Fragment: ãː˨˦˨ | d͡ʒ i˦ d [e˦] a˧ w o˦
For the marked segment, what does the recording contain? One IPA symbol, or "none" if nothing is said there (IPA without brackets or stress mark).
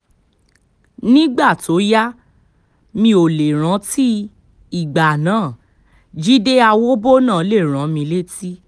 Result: e˦